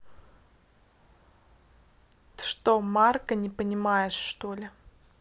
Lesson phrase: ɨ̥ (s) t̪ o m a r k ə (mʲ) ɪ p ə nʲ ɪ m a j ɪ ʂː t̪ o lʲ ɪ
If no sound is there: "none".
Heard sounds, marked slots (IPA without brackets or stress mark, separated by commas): ʂ, nʲ